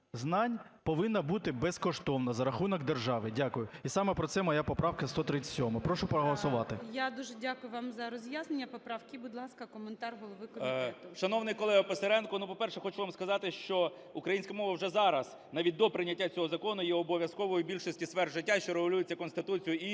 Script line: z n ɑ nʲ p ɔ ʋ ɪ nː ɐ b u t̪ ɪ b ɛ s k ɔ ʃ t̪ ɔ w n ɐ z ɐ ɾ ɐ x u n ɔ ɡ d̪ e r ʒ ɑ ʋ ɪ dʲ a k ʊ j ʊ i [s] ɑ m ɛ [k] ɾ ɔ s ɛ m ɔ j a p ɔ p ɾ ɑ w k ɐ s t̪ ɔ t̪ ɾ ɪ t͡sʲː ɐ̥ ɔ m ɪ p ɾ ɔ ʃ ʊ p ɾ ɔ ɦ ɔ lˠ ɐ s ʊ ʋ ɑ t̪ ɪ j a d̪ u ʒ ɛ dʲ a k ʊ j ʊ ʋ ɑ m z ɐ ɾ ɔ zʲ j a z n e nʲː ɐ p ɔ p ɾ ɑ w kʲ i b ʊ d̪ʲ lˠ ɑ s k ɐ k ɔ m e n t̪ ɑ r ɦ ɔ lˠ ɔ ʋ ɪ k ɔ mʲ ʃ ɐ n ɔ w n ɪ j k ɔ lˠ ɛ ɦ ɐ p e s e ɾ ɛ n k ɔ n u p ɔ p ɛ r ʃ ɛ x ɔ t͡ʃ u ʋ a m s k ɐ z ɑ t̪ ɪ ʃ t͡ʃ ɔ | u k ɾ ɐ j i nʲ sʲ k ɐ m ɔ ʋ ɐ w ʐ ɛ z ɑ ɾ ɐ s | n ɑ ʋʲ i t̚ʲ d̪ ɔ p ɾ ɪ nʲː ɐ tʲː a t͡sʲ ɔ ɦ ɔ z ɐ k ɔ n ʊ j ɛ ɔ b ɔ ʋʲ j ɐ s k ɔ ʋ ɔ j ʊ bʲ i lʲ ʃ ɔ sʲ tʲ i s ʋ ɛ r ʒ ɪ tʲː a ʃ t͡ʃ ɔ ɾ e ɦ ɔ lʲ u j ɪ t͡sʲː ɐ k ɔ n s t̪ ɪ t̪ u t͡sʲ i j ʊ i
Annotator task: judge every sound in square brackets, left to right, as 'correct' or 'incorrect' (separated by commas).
correct, incorrect